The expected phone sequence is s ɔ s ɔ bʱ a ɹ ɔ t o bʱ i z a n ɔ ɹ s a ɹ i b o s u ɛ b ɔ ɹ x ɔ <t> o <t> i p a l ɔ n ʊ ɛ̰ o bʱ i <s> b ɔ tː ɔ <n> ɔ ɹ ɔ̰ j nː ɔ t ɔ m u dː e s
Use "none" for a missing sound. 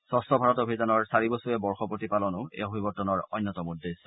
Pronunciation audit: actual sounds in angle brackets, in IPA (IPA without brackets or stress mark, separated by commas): p, t, none, n